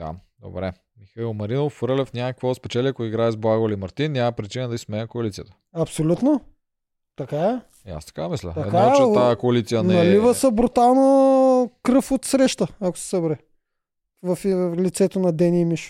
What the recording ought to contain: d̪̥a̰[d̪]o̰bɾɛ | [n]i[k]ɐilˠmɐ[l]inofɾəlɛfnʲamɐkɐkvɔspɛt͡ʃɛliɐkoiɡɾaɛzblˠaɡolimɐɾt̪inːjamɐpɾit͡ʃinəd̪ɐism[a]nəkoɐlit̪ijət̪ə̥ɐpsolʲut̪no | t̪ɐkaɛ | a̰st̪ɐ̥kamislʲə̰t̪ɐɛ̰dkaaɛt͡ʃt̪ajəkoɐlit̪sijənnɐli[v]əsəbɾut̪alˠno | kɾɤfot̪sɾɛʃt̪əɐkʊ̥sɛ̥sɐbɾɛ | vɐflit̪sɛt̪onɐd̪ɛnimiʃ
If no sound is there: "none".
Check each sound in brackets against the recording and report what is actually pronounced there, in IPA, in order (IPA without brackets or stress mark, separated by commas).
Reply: d̪, m, x, ɾ, ɛ, v